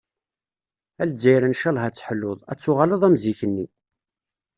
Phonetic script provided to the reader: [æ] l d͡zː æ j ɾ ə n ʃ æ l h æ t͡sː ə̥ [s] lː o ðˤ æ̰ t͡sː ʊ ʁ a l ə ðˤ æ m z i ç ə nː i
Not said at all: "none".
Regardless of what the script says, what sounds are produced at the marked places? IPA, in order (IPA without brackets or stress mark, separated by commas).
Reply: æ, ħ